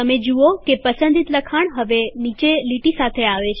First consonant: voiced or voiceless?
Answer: voiced